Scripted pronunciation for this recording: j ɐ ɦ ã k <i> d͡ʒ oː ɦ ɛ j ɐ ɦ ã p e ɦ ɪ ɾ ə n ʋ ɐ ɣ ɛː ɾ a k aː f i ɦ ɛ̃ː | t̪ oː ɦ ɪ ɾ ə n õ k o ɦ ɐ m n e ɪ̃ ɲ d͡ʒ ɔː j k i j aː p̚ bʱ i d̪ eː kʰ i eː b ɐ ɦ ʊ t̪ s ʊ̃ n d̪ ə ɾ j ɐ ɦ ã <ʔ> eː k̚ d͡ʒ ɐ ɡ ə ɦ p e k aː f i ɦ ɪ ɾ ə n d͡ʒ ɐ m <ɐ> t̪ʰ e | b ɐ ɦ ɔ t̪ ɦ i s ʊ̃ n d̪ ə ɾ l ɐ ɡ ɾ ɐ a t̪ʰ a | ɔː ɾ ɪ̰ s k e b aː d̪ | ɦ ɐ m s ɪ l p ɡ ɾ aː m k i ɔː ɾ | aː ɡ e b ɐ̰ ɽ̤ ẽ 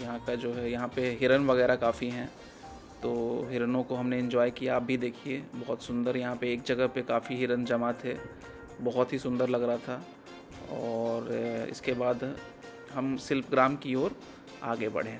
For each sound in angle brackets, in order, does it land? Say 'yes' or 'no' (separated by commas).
no, no, no